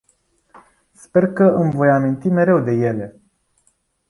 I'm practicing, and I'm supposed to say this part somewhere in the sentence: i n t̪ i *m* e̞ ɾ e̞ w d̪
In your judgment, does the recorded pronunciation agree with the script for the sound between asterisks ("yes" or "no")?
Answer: yes